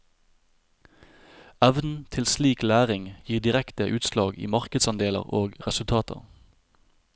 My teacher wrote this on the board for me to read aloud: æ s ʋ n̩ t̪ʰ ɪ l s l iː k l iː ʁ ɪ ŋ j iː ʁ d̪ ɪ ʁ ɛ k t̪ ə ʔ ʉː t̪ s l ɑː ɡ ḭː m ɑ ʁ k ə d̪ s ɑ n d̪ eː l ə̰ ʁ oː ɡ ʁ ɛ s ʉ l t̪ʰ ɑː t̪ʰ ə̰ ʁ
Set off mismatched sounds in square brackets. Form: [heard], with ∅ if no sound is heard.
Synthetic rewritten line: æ [∅] ʋ n̩ t̪ʰ ɪ l s l iː k l [æː] ʁ ɪ ŋ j iː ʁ d̪ ɪ ʁ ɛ k t̪ ə ʔ ʉː t̪ s l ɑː ɡ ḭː m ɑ ʁ k ə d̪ s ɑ n d̪ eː l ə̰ ʁ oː ɡ ʁ ɛ s ʉ l t̪ʰ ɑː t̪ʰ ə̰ ʁ